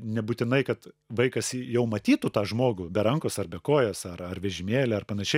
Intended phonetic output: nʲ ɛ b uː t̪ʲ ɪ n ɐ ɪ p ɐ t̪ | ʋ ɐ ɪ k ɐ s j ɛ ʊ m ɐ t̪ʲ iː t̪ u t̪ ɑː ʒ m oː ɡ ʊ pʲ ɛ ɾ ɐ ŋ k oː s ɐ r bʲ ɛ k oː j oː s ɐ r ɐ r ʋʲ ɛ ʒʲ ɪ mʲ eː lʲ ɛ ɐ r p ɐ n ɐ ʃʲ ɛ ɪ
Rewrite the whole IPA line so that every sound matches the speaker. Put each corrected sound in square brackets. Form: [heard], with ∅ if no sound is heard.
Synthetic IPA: nʲ ɛ b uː t̪ʲ ɪ n ɐ ɪ [k] ɐ t̪ | ʋ ɐ ɪ k ɐ s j ɛ ʊ m ɐ t̪ʲ iː t̪ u t̪ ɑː ʒ m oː ɡ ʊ [bʲ] ɛ ɾ ɐ ŋ k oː s ɐ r bʲ ɛ k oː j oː s ɐ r ɐ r ʋʲ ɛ ʒʲ ɪ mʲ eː lʲ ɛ ɐ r p ɐ n ɐ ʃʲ ɛ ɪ